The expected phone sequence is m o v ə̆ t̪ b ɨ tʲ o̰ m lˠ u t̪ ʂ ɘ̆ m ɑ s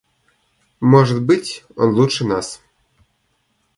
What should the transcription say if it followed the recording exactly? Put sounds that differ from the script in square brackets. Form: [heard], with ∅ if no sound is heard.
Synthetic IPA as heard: m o [ʐ] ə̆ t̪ b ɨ tʲ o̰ [n] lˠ u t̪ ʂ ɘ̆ [n] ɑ s